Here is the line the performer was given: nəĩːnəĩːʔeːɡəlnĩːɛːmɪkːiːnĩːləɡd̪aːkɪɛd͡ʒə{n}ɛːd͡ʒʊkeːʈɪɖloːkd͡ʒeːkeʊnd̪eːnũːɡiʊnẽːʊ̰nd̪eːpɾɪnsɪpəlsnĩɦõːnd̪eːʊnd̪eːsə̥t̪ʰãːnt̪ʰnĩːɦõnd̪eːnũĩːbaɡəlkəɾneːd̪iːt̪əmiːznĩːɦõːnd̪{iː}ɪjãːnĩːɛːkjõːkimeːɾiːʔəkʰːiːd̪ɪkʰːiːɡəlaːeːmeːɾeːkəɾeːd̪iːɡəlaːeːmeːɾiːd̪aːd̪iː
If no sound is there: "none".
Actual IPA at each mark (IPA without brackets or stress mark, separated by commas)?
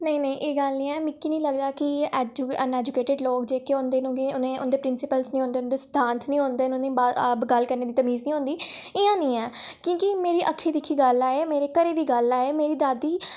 n, iː